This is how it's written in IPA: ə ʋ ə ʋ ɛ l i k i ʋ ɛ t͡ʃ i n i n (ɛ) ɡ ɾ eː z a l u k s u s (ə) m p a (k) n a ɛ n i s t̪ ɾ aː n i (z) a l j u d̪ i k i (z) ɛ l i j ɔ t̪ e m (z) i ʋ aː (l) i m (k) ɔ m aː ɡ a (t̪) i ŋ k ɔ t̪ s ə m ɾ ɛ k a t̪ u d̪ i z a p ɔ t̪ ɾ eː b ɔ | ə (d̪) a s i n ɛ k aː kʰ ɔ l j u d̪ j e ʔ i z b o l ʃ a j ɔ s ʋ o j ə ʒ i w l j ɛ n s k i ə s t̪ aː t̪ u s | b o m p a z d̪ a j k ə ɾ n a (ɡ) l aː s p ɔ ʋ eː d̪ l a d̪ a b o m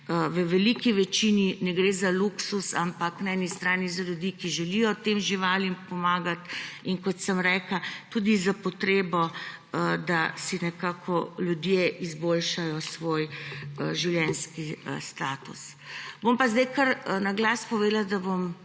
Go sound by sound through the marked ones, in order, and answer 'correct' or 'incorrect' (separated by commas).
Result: correct, incorrect, correct, correct, incorrect, incorrect, correct, incorrect, correct, correct, correct